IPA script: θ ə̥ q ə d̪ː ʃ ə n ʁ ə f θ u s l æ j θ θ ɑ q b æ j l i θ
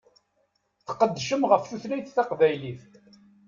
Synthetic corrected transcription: θ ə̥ q ə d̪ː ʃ ə m ʁ ə f θ u θ l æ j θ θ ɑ q v æ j l i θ